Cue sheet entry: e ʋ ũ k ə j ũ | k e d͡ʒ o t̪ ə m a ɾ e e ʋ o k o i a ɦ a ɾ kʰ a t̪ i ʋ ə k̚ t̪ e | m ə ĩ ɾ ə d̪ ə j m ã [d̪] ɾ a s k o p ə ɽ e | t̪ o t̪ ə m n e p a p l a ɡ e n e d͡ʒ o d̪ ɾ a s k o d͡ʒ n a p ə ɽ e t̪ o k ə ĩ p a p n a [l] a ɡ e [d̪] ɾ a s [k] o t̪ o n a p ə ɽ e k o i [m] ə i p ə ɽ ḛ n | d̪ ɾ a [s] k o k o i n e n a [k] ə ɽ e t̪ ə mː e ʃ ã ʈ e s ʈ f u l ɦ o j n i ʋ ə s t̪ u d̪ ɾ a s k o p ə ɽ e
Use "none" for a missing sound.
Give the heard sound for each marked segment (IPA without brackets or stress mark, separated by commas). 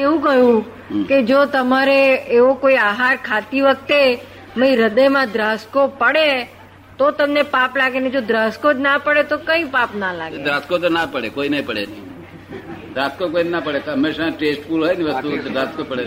d̪, l, d̪, k, n, s, p